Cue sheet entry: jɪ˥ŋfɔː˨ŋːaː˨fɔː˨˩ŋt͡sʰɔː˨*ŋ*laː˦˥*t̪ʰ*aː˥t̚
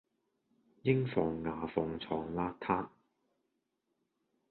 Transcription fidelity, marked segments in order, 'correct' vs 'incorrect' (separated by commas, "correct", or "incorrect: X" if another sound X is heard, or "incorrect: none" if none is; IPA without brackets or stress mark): correct, correct